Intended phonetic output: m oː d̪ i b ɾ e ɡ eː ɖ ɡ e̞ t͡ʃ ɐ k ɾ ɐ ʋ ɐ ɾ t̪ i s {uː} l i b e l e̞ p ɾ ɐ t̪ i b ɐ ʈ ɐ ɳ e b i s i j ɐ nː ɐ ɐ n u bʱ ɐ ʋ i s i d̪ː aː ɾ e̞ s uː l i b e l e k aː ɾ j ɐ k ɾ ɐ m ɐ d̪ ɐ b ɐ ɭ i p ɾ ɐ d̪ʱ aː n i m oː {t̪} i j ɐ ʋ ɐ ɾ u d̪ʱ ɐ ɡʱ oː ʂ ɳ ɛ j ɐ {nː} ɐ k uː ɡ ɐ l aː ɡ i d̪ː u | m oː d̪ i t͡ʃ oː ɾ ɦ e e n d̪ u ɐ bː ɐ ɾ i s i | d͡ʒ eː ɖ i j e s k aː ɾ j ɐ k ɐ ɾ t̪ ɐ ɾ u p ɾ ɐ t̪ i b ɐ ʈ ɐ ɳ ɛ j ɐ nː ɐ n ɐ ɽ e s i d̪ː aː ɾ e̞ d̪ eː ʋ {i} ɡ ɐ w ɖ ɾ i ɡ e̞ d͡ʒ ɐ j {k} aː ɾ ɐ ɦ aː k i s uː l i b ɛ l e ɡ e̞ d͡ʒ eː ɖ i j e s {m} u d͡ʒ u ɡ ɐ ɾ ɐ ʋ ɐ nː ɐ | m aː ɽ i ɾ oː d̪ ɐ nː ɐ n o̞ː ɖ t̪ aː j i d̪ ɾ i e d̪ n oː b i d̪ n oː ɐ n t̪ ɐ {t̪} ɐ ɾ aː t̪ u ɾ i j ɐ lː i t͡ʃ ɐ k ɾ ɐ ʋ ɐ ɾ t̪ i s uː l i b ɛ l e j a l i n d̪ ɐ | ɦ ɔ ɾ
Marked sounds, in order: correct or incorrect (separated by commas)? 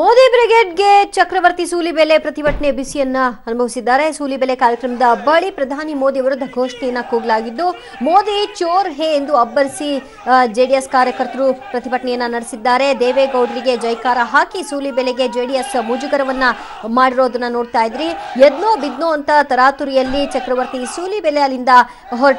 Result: correct, incorrect, correct, incorrect, correct, correct, correct